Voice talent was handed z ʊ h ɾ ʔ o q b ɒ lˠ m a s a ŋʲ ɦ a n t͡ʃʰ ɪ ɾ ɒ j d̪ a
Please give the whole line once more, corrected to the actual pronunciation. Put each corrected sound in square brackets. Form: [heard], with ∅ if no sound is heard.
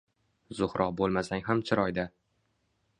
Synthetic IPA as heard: z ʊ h ɾ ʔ [ɒ] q b [o] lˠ m a s a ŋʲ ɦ a [m] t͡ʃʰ ɪ ɾ ɒ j d̪ a